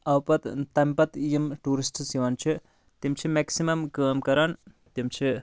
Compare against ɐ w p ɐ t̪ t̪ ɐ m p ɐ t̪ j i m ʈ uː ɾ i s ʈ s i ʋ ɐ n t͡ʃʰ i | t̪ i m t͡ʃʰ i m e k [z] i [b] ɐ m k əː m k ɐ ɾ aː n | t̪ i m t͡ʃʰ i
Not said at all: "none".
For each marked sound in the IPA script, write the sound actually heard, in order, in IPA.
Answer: s, m

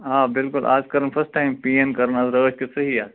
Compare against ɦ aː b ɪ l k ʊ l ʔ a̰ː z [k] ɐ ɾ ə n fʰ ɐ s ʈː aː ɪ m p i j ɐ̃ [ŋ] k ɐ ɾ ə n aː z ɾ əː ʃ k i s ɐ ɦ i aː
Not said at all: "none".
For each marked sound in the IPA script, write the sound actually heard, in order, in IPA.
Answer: k, n

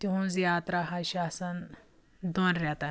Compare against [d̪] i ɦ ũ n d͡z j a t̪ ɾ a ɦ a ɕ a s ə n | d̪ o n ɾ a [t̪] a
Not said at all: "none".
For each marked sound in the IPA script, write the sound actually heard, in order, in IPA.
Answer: t̪, t̪

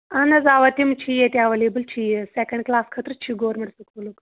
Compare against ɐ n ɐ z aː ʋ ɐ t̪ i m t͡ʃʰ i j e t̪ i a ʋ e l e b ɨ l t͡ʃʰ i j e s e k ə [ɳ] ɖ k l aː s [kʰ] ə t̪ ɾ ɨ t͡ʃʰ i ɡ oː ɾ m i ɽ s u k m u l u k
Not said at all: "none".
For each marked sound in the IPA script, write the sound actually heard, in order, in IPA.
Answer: ɳ, kʰ

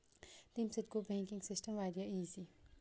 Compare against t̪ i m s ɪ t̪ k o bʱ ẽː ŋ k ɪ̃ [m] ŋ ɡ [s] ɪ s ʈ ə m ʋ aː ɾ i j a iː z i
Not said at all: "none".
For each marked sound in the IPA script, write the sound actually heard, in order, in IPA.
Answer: none, s

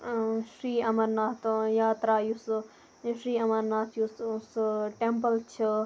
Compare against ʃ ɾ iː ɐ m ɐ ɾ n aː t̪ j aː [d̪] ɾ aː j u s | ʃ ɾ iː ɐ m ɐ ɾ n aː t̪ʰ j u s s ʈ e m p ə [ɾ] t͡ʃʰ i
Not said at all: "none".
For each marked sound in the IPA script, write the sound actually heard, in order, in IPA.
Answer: t̪, l

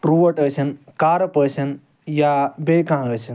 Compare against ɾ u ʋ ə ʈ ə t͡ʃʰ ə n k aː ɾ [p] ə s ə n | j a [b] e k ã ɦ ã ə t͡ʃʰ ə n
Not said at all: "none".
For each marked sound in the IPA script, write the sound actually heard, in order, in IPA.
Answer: p, b

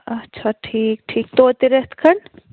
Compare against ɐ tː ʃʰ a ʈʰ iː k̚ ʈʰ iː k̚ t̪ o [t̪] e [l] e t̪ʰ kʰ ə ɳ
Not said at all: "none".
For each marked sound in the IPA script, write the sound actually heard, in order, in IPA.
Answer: t̪, ɾ

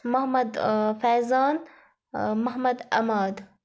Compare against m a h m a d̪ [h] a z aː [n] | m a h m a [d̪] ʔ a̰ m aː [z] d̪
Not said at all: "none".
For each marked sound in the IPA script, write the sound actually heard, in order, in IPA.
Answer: f, n, d̪, none

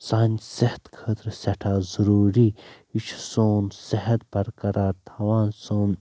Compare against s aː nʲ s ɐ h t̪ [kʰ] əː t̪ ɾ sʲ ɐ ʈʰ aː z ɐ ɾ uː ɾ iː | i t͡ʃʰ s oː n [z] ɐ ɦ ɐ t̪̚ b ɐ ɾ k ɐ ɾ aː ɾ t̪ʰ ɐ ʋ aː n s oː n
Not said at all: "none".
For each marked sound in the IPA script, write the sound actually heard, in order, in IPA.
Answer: kʰ, s

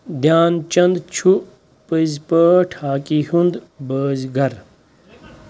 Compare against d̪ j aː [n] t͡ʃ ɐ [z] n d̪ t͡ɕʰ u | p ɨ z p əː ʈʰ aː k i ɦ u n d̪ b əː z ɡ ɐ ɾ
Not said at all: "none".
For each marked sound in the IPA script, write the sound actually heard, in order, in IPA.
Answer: n, none

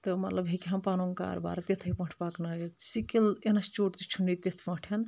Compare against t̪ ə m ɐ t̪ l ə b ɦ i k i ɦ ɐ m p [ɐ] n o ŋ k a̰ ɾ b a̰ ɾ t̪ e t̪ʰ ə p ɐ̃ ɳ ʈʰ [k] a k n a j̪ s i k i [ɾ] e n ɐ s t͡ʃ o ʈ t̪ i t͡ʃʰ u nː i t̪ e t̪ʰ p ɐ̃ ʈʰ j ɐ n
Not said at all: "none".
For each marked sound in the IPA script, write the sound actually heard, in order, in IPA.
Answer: a, p, l

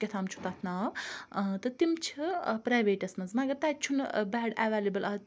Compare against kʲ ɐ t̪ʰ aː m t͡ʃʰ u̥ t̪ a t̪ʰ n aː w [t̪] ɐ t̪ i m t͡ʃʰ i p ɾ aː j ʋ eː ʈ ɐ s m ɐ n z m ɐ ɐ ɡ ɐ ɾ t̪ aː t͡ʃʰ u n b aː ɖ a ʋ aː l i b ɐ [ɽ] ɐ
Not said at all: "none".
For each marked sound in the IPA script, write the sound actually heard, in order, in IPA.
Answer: t̪, l

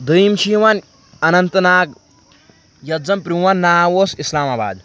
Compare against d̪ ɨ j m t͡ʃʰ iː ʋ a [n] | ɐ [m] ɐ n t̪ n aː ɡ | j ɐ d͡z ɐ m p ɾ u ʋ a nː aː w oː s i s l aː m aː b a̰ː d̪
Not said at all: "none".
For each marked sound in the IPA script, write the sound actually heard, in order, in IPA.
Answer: n, n

